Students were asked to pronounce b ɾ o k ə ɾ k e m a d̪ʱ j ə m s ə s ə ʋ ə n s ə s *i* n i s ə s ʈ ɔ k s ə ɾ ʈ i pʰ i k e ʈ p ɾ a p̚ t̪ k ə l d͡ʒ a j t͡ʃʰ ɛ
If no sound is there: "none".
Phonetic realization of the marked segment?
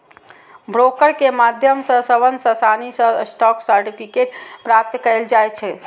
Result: a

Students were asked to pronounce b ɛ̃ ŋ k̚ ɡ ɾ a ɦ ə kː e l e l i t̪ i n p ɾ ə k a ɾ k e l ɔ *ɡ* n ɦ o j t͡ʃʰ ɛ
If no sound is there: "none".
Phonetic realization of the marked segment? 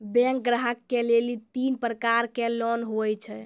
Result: none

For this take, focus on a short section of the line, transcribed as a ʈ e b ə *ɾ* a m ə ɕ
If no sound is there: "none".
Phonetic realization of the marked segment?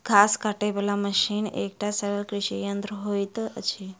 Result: l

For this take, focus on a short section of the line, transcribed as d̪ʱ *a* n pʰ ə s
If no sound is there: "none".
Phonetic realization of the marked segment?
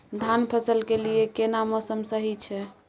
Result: a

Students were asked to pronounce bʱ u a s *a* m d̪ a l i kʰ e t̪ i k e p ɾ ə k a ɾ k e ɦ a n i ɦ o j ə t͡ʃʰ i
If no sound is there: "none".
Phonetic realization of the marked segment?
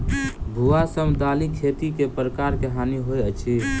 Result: ə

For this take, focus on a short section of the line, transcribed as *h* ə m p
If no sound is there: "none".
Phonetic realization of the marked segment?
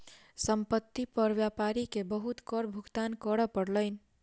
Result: s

